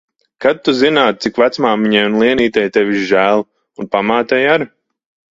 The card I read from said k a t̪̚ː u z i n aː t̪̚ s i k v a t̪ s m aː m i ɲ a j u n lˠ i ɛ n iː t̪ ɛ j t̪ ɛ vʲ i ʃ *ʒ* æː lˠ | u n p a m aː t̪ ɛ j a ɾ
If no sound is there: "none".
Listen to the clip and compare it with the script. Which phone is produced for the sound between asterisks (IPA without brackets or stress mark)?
ʒ